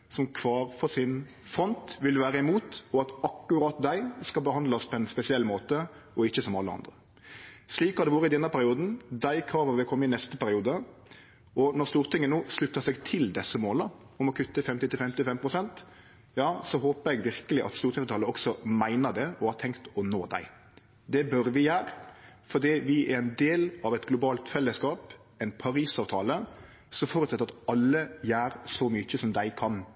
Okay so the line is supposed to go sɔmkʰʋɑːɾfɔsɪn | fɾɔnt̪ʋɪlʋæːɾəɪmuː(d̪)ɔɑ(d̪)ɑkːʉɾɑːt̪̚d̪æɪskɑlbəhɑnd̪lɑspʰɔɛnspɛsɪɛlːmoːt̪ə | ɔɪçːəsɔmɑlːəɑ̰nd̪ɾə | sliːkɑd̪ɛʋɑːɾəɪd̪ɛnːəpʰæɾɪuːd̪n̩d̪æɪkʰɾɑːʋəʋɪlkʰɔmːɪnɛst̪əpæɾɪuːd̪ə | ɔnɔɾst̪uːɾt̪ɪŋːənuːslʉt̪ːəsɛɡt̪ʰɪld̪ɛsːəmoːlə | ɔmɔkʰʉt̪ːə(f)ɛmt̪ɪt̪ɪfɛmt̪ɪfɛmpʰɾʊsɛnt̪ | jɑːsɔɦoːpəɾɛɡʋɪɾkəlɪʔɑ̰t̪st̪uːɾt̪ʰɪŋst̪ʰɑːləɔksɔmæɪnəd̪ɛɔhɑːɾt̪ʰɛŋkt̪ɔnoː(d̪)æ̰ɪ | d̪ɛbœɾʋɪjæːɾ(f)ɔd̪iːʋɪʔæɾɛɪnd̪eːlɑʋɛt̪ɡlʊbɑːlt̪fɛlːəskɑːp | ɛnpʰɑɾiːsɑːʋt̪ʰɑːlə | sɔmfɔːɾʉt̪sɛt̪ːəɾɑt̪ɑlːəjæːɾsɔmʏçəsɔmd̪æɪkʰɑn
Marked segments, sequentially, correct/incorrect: incorrect, incorrect, correct, correct, correct

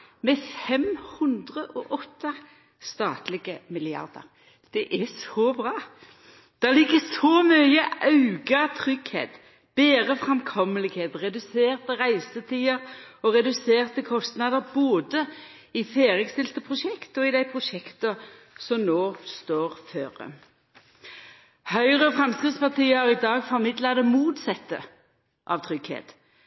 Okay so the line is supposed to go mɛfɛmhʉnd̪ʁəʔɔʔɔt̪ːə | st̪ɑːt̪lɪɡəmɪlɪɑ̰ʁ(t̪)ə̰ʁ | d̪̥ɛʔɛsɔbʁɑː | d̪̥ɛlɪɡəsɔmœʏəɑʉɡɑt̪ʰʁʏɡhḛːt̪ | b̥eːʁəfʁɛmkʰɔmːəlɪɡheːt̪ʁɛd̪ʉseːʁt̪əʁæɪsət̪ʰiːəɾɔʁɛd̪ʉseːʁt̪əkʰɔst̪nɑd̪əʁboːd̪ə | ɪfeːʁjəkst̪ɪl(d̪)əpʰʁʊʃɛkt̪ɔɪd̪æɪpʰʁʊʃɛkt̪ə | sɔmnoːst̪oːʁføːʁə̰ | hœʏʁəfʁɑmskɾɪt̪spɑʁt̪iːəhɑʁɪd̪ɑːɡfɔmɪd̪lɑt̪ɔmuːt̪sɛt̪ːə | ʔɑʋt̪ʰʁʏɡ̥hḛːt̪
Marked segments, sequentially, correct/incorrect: incorrect, incorrect

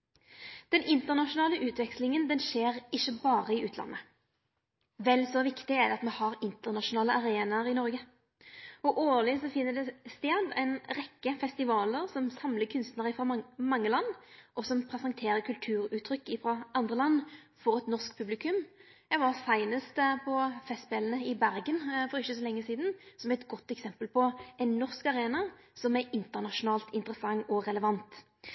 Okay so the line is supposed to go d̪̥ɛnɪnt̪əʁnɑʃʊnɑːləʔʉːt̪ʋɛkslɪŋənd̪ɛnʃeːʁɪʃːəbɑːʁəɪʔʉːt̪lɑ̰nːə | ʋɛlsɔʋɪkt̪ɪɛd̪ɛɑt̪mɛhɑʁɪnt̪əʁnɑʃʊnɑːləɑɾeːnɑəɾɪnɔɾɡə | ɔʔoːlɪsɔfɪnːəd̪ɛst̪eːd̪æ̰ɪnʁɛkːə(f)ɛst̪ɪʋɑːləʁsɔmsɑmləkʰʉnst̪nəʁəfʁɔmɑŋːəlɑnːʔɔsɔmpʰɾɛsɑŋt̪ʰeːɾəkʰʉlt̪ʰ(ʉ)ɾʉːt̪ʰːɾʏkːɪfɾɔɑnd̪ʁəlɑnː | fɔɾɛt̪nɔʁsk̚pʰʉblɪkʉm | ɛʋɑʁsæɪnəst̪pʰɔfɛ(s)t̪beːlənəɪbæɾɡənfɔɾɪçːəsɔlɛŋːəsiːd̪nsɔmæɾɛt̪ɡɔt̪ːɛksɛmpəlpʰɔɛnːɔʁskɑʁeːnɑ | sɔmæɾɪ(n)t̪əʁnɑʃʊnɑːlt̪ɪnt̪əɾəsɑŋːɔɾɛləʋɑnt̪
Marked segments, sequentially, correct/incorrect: correct, incorrect, correct, correct

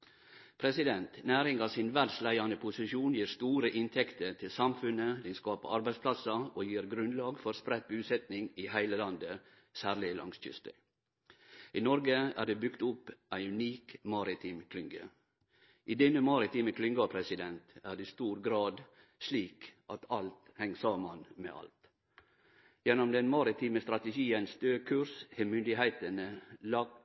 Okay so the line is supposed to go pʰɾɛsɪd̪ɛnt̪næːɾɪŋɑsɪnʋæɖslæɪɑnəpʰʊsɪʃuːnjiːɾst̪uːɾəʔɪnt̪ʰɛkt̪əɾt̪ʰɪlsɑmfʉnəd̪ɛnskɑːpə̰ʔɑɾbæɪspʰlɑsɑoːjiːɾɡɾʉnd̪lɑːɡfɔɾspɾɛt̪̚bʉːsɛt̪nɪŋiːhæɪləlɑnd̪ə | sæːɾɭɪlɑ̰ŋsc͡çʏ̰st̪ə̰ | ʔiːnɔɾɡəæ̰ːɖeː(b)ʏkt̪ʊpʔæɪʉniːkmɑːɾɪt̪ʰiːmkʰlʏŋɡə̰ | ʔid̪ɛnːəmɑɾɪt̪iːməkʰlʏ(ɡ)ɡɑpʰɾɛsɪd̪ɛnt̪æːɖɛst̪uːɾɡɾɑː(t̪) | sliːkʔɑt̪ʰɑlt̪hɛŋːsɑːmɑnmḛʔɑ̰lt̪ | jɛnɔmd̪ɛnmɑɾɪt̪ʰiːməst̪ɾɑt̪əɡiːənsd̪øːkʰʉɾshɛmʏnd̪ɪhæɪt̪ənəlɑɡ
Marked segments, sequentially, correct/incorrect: correct, incorrect, incorrect

